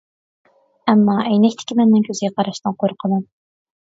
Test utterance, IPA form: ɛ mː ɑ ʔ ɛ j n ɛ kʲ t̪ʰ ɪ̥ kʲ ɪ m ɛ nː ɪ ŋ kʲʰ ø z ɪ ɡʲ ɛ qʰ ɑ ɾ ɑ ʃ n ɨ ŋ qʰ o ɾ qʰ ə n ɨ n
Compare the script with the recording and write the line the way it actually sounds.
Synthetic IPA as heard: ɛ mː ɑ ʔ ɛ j n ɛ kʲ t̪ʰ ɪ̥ kʲ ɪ m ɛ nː ɪ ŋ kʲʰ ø z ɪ ɡʲ ɛ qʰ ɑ ɾ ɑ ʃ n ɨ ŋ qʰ o ɾ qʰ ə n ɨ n

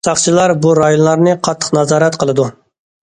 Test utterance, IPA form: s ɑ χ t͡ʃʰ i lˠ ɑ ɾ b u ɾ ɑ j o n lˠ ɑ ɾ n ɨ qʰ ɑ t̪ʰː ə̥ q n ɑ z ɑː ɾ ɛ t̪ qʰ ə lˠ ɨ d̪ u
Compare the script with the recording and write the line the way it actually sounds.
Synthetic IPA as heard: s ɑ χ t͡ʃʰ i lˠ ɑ ɾ b u ɾ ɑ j o n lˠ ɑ ɾ n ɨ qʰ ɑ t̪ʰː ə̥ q n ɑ z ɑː ɾ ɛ t̪ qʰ ə lˠ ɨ d̪ u

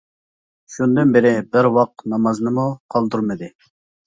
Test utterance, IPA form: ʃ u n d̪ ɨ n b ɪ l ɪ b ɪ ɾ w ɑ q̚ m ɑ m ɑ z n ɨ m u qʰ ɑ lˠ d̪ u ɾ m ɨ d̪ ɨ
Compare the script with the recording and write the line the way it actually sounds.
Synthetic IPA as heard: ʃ u n d̪ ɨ n b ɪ ɾ ɪ b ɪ ɾ w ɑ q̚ n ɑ m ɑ z n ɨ m u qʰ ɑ lˠ d̪ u ɾ m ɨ d̪ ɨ

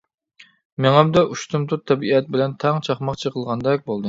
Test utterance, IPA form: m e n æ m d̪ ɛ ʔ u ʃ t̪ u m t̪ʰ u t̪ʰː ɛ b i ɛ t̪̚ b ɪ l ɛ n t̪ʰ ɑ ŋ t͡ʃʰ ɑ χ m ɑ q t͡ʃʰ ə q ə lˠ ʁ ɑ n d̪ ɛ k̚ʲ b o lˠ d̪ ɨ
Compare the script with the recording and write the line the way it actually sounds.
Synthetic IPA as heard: m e ŋ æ m d̪ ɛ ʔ u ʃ t̪ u m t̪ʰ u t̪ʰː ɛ b i ɛ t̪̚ b ɪ l ɛ n t̪ʰ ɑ ŋ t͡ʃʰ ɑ χ m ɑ q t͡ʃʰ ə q ə lˠ ʁ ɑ n d̪ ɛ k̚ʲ b o lˠ d̪ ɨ

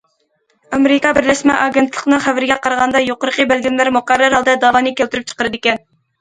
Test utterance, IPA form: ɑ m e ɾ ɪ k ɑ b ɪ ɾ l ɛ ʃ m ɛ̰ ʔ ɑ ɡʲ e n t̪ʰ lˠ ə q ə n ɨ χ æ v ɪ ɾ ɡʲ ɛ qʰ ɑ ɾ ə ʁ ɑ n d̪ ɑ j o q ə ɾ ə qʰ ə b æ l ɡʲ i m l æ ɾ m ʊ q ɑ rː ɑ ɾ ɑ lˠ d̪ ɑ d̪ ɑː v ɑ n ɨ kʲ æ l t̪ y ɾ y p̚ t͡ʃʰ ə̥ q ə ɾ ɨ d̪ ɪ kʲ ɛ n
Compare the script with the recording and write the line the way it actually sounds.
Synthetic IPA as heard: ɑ m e ɾ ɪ k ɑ b ɪ ɾ l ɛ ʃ m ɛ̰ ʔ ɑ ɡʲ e n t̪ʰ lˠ ə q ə n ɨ χ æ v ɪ ɾ ɡʲ ɛ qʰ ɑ ɾ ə ʁ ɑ n d̪ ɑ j o q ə ɾ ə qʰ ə b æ l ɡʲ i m l æ ɾ m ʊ q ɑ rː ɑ ɾ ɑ lˠ d̪ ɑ d̪ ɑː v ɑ n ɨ kʲ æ l t̪ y ɾ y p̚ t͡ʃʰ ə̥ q ə ɾ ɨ d̪ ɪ kʲ ɛ n

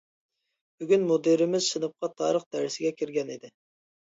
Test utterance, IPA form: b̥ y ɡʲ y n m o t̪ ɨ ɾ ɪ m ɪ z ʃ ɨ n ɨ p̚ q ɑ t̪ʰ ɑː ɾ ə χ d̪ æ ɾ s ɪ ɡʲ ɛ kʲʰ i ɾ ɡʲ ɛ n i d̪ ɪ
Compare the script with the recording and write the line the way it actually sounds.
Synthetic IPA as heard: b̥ y ɡʲ y n m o d̪ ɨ ɾ ɪ m ɪ z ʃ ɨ n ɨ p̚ q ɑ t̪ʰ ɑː ɾ ə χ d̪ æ ɾ s ɪ ɡʲ ɛ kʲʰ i ɾ ɡʲ ɛ n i d̪ ɪ

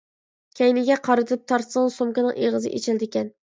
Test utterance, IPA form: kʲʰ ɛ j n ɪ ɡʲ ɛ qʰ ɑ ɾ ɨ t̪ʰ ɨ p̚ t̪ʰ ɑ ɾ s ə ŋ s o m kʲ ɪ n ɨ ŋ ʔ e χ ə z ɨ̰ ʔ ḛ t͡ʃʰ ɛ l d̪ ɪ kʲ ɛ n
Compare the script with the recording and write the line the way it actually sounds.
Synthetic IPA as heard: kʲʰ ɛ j n ɪ ɡʲ ɛ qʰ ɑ ɾ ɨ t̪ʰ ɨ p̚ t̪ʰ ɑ ɾ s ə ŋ s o m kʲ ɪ n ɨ ŋ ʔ e ʁ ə z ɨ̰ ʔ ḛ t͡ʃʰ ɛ l d̪ ɪ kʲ ɛ n

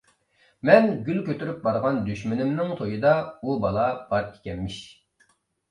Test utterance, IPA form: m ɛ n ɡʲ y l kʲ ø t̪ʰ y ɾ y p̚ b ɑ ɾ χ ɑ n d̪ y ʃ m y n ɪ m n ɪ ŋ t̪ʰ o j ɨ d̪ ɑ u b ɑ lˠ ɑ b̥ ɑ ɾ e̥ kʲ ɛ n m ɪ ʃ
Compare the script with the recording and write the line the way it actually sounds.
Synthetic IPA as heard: m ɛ n ɡʲ y l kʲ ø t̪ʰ y ɾ y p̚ b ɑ ɾ ʁ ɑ n d̪ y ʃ m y n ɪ m n ɪ ŋ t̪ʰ o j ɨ d̪ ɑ u b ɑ lˠ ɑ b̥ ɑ ɾ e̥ kʲ ɛ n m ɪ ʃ

